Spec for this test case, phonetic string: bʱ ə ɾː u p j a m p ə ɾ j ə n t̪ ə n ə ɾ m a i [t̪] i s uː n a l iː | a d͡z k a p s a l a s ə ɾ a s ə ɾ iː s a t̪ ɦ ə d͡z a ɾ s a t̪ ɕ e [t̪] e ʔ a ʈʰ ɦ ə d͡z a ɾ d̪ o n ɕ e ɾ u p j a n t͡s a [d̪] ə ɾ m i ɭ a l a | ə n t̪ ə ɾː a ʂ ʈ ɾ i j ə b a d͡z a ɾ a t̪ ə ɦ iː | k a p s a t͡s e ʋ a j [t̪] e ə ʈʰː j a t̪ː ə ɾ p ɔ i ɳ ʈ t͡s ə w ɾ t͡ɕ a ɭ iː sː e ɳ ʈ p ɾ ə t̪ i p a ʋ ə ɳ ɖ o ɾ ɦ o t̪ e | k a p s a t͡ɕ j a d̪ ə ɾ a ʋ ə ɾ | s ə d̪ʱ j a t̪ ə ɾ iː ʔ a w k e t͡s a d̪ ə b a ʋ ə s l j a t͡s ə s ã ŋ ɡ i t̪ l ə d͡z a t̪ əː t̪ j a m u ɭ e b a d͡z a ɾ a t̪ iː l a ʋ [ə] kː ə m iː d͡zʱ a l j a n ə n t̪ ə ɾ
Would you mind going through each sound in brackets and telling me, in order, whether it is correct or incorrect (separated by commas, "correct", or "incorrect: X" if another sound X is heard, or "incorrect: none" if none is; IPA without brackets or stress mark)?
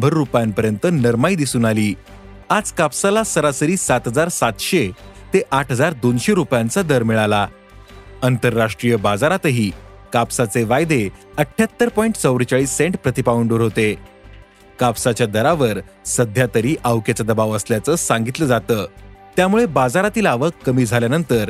incorrect: d̪, correct, correct, incorrect: d̪, correct